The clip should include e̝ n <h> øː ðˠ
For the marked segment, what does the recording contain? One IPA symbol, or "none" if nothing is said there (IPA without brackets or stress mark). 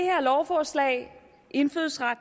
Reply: f